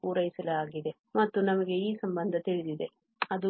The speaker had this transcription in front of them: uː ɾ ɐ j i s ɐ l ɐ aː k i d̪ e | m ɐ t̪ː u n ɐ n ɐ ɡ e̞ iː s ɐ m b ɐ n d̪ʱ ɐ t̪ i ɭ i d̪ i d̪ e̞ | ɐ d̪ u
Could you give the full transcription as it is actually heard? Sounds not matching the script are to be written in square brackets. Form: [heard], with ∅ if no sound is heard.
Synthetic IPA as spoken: uː ɾ ɐ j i s ɐ l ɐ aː [ɡ] i d̪ e | m ɐ t̪ː u n ɐ [m] ɐ ɡ e̞ iː s ɐ m b ɐ n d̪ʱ ɐ t̪ i ɭ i d̪ i d̪ e̞ | ɐ d̪ u